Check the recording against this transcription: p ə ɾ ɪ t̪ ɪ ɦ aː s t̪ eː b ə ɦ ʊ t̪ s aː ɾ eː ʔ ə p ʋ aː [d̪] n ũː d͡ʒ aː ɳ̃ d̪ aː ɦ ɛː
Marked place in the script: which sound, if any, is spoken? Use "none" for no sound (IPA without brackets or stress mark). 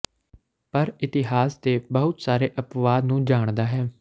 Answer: d̪